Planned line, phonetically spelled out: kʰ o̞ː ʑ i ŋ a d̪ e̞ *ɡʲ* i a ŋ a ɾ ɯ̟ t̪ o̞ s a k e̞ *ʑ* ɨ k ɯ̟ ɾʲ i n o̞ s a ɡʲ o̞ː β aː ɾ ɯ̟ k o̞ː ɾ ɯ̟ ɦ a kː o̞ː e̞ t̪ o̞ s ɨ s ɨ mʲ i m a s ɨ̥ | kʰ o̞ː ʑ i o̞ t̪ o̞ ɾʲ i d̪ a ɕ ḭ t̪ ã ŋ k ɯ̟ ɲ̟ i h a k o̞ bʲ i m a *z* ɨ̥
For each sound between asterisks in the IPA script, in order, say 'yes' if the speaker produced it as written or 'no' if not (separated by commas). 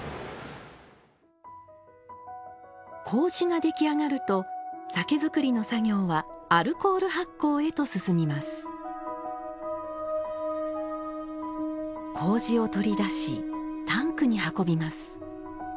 no, no, no